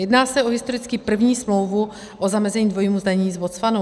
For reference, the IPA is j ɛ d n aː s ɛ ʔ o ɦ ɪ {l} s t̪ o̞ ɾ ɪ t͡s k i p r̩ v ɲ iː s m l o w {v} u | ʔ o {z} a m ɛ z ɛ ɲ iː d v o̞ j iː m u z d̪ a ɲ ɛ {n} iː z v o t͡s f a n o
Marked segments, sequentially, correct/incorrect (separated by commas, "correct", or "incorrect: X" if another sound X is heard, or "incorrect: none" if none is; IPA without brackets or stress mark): incorrect: none, correct, correct, incorrect: ɲ